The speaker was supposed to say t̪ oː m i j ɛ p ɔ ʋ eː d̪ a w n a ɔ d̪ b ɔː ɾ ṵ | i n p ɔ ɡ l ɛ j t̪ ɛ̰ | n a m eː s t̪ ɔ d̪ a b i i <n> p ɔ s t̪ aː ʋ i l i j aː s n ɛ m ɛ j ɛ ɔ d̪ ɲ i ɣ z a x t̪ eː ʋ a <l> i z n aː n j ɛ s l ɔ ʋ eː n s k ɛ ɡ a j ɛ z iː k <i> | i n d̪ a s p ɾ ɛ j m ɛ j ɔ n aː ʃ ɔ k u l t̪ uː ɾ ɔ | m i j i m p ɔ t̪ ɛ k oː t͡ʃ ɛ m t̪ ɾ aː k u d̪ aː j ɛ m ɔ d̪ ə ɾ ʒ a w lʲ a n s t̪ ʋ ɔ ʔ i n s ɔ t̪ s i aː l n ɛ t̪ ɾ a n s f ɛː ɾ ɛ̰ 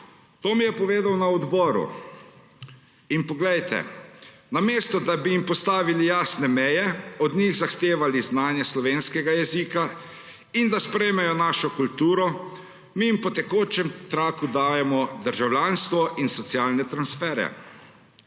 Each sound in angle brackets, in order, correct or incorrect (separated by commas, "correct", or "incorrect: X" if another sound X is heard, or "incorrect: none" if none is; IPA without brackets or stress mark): incorrect: m, correct, incorrect: a